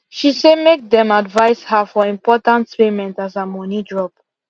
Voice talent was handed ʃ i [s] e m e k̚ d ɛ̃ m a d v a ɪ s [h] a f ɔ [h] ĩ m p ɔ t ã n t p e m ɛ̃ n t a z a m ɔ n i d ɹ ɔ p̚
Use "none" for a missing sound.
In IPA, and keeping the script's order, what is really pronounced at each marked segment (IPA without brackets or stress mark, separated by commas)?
s, h, none